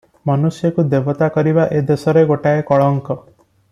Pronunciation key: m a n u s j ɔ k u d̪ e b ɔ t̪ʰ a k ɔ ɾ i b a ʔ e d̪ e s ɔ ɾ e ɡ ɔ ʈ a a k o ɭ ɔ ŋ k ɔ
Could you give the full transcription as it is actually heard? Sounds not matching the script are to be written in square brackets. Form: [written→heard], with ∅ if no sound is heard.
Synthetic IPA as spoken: m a n u s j ɔ k u d̪ e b ɔ [t̪ʰ→t̪] a k ɔ ɾ i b a ʔ e d̪ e s ɔ ɾ e ɡ [ɔ→o] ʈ a [a→e] k [o→ɔ] ɭ ɔ ŋ k ɔ